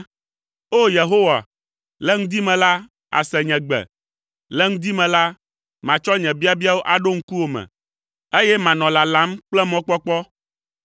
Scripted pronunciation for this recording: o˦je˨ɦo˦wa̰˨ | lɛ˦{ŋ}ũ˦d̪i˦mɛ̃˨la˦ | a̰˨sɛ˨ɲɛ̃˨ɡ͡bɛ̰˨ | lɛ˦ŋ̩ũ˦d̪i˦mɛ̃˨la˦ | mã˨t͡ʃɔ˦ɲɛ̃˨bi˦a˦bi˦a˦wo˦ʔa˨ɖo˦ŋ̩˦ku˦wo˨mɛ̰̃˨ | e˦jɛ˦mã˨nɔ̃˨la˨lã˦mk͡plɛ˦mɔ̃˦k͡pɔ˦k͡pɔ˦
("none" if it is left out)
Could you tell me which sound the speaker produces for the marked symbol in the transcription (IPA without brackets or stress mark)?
ŋ